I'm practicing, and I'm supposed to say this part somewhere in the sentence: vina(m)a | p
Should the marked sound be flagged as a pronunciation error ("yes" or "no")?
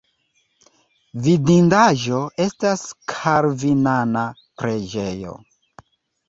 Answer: yes